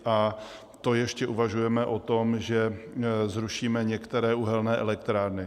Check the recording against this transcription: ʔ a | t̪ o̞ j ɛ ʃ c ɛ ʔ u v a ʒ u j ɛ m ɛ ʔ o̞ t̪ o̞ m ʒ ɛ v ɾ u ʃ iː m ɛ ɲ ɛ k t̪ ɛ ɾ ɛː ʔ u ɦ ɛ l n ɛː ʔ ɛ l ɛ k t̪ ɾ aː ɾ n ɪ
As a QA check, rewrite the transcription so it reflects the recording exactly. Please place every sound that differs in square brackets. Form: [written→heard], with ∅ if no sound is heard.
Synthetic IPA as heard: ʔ a | t̪ o̞ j ɛ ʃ c ɛ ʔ u v a ʒ u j ɛ m ɛ ʔ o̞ t̪ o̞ m ʒ ɛ [v→z] ɾ u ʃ iː m ɛ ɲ ɛ k t̪ ɛ ɾ ɛː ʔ u ɦ ɛ l n ɛː ʔ ɛ l ɛ k t̪ ɾ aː ɾ n ɪ